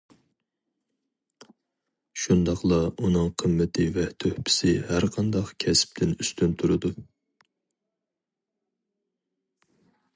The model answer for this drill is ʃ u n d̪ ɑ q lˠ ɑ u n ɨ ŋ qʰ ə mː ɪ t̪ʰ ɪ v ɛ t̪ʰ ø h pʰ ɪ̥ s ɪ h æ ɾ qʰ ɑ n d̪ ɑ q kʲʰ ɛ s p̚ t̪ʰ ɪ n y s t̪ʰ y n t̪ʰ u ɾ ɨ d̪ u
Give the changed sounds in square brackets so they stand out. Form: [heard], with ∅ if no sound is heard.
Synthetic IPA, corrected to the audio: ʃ u n d̪ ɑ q lˠ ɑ u n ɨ ŋ qʰ ə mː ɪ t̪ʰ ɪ v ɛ t̪ʰ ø h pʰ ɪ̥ s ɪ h æ ɾ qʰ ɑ n d̪ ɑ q kʲʰ ɛ s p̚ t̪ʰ ɪ n y s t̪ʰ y n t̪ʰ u ɾ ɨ d̪ u